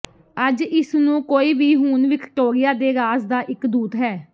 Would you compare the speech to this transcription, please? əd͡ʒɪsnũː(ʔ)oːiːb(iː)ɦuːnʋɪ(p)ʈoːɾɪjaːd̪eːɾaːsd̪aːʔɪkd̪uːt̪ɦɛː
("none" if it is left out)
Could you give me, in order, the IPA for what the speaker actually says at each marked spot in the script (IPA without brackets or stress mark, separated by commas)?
k, iː, k